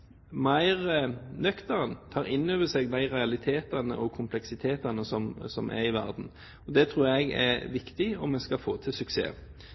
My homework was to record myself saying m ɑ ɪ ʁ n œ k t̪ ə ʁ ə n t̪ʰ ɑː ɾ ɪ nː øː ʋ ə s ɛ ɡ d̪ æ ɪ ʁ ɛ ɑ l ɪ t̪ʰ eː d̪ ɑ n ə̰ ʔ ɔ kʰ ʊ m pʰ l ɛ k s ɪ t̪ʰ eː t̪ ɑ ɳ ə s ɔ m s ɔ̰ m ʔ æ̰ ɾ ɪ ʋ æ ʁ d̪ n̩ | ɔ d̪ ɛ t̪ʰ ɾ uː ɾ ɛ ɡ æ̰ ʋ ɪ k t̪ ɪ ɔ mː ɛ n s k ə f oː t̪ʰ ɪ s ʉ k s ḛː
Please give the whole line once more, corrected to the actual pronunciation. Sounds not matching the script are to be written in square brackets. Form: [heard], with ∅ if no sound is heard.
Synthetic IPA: m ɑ ɪ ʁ n œ k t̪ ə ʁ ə n t̪ʰ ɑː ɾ ɪ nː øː ʋ ə s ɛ ɡ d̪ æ ɪ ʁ ɛ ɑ l ɪ t̪ʰ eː [t̪] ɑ n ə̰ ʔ ɔ kʰ ʊ m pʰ l ɛ k s ɪ t̪ʰ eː t̪ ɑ [n] ə s ɔ m s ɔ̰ m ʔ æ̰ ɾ ɪ ʋ æ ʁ d̪ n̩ | ɔ d̪ ɛ t̪ʰ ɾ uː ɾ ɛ ɡ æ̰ ʋ ɪ k t̪ ɪ ɔ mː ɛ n s k [ɑ] f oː t̪ʰ ɪ s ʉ k s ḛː